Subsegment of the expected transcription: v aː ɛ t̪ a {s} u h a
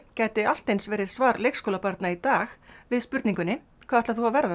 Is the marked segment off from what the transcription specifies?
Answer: yes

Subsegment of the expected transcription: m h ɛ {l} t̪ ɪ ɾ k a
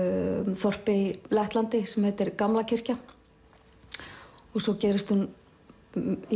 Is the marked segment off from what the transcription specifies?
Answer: yes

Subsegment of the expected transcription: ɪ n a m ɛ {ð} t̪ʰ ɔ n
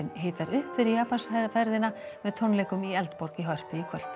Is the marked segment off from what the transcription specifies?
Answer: no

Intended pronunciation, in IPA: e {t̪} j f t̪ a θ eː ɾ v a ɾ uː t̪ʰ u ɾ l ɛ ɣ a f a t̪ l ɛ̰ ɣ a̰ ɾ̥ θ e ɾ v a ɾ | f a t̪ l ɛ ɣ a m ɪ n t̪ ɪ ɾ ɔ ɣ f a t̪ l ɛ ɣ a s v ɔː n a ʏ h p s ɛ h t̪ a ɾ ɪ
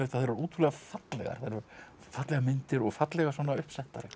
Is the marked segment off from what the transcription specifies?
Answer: yes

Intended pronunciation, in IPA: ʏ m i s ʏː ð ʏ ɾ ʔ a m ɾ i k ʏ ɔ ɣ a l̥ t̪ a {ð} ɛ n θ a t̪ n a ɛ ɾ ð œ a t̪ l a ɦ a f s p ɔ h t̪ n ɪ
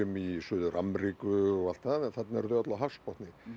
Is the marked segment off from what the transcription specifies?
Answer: no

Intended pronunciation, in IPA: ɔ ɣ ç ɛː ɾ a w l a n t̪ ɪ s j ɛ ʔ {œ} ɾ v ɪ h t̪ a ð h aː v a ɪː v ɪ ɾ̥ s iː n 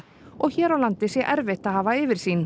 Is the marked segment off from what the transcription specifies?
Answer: yes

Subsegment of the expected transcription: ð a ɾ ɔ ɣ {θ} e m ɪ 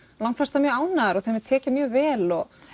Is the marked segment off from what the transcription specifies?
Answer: no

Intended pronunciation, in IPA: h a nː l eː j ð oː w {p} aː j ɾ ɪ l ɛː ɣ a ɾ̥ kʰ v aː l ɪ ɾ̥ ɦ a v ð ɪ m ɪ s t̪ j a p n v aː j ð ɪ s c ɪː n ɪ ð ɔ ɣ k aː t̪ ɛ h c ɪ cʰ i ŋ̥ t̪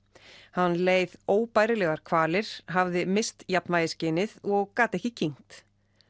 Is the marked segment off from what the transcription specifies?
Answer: no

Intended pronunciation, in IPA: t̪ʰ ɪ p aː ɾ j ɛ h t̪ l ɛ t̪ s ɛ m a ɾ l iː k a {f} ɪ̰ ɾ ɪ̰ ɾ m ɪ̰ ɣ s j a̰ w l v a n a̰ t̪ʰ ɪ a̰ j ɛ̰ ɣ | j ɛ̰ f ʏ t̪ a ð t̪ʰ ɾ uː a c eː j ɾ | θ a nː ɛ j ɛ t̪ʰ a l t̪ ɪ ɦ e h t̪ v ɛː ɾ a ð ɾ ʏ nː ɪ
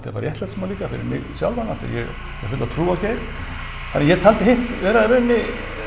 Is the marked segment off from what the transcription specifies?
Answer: no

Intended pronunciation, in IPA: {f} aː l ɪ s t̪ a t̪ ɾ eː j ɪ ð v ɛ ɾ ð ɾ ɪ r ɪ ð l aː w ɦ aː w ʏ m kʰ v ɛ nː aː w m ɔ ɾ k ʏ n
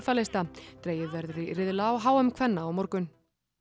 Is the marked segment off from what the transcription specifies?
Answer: no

